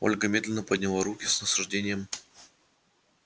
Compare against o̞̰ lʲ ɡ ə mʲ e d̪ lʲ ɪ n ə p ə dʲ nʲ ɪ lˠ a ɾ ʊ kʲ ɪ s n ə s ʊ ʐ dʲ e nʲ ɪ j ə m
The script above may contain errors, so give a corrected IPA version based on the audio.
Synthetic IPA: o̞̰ lʲ ɡ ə mʲ e d̪ lʲ ɪ n ə p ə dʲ nʲ ɪ lˠ a ɾ u kʲ ɪ s n ə s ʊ ʐ dʲ e nʲ ɪ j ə m